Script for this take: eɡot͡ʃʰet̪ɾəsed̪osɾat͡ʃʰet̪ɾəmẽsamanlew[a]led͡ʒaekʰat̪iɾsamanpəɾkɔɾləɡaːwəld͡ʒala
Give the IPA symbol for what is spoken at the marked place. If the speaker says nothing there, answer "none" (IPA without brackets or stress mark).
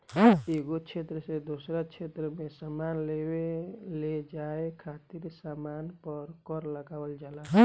e